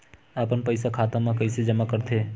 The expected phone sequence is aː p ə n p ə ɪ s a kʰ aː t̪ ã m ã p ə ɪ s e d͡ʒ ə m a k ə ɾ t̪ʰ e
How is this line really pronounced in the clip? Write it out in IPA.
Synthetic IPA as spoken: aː p ə n p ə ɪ s a kʰ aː t̪ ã m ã k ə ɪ s e d͡ʒ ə m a k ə ɾ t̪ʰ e